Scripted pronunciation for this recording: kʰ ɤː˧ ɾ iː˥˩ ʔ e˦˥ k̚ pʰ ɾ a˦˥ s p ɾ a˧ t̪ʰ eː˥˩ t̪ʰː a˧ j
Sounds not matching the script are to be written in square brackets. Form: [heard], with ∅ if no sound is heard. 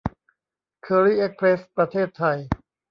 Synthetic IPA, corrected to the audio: kʰ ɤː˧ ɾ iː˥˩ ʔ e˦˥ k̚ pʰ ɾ [e˦˥] s p ɾ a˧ t̪ʰ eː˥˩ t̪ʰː a˧ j